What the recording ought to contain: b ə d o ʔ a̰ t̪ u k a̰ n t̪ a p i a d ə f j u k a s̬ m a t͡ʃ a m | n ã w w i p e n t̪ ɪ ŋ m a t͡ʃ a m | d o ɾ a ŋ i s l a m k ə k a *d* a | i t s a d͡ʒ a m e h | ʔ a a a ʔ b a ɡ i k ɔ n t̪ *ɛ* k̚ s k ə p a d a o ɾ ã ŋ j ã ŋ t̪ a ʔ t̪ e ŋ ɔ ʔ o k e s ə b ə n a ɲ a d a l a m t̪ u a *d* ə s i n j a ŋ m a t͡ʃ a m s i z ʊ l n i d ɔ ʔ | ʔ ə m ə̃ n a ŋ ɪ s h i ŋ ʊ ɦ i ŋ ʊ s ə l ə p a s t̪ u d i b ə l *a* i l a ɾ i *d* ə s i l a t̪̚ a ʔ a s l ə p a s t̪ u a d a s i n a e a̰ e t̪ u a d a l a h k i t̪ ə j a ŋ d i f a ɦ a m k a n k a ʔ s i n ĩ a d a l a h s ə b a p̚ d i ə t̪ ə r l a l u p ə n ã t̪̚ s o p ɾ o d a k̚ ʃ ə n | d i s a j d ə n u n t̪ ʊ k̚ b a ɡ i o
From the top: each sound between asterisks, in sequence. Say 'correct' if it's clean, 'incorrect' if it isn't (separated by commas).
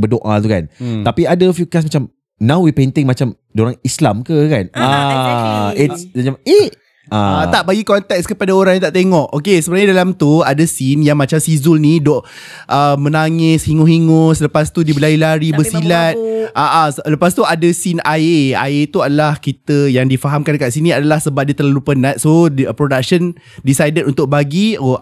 incorrect, correct, correct, correct, incorrect